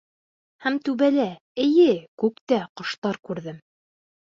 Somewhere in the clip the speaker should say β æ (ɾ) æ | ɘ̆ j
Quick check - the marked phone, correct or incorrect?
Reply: incorrect